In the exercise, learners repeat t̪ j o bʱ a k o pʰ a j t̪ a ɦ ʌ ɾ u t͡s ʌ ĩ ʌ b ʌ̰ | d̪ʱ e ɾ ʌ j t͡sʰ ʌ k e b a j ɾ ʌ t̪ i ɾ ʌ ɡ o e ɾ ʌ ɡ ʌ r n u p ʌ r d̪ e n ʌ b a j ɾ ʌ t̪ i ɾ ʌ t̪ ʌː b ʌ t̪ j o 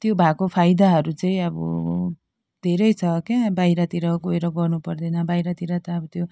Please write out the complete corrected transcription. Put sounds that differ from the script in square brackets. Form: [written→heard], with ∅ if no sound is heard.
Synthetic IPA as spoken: t̪ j o bʱ a k o pʰ a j [t̪→d̪] a ɦ ʌ ɾ u t͡s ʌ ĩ ʌ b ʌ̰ | d̪ʱ e ɾ ʌ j t͡sʰ ʌ k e b a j ɾ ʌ t̪ i ɾ ʌ ɡ o e ɾ ʌ ɡ ʌ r n u p ʌ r d̪ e n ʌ b a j ɾ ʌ t̪ i ɾ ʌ t̪ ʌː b ʌ t̪ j o